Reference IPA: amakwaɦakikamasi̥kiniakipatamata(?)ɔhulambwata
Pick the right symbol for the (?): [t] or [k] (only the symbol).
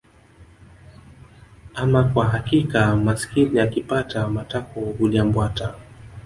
k